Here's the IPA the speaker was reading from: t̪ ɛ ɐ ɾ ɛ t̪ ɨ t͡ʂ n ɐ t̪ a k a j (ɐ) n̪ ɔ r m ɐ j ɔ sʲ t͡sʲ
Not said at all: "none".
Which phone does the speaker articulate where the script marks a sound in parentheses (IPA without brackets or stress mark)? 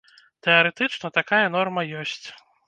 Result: ɐ